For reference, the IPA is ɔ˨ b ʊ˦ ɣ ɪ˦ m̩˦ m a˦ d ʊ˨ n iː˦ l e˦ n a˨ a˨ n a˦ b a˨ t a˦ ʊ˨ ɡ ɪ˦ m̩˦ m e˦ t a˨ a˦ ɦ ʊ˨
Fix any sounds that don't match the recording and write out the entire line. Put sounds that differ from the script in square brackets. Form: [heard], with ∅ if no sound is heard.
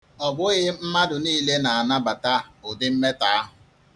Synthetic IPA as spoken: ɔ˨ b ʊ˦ ɣ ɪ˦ m̩˦ m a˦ d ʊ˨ n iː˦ l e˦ n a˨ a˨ n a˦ b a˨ t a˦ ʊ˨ [d] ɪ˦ m̩˦ m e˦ t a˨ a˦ ɦ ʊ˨